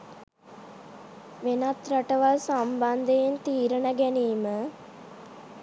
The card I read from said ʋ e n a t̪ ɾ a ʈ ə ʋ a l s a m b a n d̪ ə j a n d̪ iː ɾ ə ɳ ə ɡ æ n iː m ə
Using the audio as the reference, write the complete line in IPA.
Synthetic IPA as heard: ʋ e n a t̪ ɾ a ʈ ə ʋ a l s a m b a n d̪ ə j e n t̪ iː ɾ ə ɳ ə ɡ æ n iː m ə